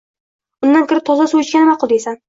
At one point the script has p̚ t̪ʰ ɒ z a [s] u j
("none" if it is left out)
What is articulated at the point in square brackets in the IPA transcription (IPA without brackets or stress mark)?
s